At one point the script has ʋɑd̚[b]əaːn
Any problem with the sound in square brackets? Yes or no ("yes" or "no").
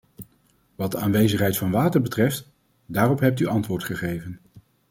yes